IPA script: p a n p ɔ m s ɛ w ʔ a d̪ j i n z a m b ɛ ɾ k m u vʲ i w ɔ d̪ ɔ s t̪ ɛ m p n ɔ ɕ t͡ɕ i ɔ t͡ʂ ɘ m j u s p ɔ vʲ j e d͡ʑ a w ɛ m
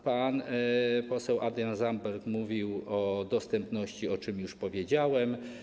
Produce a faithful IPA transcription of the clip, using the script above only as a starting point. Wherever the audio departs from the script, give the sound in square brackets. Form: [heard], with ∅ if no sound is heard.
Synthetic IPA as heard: p a n p ɔ [∅] s ɛ w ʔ a d̪ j [a] n z a m b ɛ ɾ k m u vʲ i w ɔ d̪ ɔ s t̪ ɛ m p n ɔ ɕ t͡ɕ i ɔ t͡ʂ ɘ m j u [ʂ] p ɔ vʲ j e d͡ʑ a w ɛ m